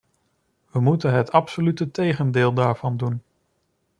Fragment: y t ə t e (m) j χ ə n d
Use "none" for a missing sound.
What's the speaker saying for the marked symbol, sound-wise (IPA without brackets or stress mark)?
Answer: none